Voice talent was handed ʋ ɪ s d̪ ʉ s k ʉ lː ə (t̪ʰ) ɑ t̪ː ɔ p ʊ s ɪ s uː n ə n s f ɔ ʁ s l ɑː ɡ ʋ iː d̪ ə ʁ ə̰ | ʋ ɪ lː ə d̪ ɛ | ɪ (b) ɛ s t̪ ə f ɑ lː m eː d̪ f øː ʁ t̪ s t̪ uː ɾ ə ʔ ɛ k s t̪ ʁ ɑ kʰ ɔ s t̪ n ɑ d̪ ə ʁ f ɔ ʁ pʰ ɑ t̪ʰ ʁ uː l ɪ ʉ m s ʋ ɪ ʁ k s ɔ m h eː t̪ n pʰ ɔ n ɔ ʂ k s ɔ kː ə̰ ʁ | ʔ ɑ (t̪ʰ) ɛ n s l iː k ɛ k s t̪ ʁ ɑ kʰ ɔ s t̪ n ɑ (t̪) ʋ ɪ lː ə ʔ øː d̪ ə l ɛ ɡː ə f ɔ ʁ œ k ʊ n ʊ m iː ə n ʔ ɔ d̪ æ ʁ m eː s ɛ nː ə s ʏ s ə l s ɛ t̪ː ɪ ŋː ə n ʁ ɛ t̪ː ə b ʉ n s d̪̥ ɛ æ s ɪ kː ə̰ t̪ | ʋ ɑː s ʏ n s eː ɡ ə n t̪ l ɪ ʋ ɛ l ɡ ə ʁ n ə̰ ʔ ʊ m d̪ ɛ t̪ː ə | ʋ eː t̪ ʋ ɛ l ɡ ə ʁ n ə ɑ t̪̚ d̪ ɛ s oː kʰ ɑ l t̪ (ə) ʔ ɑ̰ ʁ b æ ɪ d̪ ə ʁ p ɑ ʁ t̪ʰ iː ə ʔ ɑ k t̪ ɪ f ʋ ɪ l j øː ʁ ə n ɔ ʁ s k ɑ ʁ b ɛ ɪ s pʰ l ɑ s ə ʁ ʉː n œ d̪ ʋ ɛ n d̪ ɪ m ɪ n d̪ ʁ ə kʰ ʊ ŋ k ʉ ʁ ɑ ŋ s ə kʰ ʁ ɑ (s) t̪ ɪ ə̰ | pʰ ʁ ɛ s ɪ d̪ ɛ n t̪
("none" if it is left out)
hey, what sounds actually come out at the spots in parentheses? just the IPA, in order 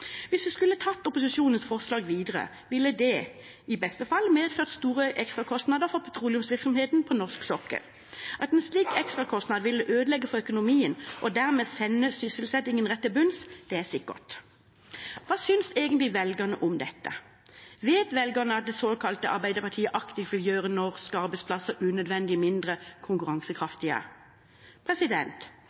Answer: t̪ʰ, b, t̪, d̪, ə, f

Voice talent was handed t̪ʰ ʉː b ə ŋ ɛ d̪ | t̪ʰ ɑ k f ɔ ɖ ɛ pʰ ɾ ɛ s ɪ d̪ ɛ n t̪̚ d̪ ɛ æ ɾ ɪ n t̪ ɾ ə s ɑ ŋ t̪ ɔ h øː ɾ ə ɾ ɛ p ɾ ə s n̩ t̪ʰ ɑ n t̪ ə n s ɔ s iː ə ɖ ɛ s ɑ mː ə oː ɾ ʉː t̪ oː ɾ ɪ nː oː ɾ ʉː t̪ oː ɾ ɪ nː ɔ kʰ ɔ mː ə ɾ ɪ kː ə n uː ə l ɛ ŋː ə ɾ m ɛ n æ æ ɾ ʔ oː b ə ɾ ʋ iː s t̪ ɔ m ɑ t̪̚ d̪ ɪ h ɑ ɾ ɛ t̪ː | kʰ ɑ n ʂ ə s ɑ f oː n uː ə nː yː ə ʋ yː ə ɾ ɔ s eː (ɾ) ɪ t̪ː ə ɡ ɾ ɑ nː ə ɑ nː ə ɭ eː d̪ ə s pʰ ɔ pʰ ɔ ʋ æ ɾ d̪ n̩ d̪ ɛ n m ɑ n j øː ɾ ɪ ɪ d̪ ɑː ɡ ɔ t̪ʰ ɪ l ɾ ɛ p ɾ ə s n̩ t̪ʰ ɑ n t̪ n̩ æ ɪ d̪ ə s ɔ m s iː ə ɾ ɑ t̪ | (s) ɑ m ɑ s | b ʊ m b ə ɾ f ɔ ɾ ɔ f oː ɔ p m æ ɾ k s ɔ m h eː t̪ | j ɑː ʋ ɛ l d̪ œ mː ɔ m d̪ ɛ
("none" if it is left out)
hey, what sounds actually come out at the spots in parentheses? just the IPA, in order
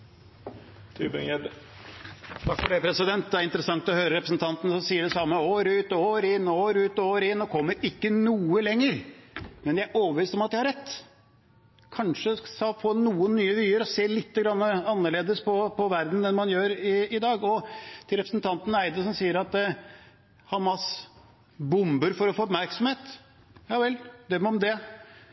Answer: l, h

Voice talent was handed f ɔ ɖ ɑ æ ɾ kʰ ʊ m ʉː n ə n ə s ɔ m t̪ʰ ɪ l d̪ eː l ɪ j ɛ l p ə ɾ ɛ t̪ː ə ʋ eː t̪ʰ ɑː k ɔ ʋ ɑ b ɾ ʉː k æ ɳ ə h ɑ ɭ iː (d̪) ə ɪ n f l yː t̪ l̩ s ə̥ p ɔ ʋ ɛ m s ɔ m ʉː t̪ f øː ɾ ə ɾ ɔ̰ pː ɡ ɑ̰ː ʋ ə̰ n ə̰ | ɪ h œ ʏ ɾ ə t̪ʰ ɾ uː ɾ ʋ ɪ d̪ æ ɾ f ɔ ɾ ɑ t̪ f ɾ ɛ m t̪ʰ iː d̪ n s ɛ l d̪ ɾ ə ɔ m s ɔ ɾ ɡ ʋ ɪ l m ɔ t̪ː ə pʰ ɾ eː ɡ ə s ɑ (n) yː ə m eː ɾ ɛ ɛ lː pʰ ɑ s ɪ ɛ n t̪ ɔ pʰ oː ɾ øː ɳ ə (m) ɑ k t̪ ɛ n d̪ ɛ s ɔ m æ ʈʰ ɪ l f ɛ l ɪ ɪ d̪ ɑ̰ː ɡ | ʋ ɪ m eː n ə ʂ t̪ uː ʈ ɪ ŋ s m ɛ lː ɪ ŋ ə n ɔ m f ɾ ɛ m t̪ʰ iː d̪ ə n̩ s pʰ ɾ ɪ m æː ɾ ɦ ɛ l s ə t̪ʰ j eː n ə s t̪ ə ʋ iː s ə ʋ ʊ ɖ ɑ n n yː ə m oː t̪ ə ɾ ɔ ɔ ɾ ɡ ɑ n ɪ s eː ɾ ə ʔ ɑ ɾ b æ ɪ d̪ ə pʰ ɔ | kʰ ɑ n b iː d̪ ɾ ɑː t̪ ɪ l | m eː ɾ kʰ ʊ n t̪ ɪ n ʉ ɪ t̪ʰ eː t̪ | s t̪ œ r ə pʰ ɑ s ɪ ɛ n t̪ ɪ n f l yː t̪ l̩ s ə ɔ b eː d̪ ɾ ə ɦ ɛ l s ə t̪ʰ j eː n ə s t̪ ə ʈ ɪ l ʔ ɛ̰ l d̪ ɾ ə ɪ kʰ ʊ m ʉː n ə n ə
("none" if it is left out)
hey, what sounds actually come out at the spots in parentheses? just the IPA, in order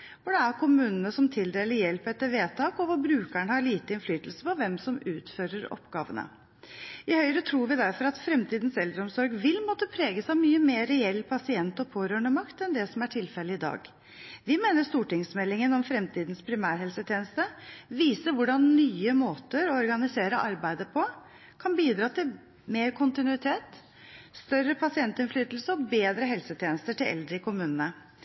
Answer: t̪, m, m

